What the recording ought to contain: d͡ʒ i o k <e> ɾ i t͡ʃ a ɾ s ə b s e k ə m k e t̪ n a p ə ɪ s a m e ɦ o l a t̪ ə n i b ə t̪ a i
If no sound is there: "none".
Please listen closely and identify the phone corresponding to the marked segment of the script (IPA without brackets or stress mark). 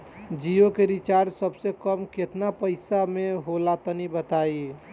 e